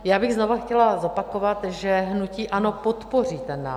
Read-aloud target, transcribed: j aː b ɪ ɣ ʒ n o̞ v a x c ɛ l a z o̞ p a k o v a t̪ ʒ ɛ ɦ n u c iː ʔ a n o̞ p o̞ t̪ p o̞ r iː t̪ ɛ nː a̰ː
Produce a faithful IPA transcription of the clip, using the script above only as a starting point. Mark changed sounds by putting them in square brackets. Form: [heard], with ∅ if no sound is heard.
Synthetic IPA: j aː b ɪ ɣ [z] n o̞ v a x c ɛ l a z o̞ p a k o v a t̪ ʒ ɛ ɦ n u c iː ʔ a n o̞ p o̞ t̪ p o̞ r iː t̪ ɛ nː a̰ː

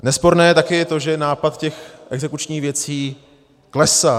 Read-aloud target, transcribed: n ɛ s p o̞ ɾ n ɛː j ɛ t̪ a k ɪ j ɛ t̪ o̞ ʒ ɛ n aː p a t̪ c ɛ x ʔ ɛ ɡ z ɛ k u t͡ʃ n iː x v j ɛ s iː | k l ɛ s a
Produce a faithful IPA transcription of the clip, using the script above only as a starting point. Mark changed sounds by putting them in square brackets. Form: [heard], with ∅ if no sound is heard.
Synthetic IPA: n ɛ s p o̞ ɾ n ɛː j ɛ t̪ a k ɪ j ɛ t̪ o̞ ʒ ɛ n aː p a t̪ c ɛ x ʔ ɛ ɡ z ɛ k u t͡ʃ [ɲ] iː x v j ɛ [t͡s] iː | k l ɛ s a

